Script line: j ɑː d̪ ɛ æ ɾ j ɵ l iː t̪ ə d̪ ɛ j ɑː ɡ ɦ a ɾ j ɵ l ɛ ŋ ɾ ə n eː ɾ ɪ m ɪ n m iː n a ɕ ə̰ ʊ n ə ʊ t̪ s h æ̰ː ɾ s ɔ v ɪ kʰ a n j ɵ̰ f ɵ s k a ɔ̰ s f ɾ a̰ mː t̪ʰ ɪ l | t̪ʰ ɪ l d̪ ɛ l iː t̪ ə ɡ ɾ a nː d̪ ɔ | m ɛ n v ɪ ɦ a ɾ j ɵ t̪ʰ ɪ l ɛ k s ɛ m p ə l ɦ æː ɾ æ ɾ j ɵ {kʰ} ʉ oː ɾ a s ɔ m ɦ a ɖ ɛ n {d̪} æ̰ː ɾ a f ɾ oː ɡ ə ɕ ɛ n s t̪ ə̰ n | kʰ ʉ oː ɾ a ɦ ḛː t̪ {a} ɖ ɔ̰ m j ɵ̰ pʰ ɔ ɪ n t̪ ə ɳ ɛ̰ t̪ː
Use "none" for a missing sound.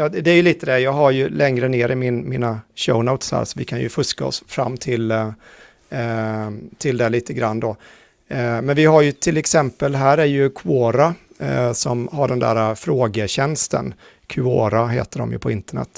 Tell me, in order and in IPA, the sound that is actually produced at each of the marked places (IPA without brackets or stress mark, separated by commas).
kʰ, d̪, ə